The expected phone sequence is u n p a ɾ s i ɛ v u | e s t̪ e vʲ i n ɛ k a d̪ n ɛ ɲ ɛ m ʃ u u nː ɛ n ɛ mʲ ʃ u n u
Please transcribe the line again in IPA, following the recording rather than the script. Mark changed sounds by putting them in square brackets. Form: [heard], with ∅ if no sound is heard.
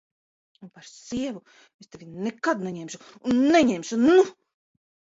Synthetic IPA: u n p a ɾ s i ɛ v u | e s t̪ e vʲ i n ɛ k a d̪ n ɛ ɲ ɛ m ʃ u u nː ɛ [ɲ] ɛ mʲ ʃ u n u